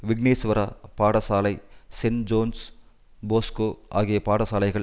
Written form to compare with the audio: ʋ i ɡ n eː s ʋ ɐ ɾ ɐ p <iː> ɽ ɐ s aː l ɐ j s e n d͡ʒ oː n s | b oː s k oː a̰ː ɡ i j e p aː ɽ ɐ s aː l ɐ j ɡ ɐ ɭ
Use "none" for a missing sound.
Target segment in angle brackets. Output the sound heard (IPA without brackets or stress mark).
aː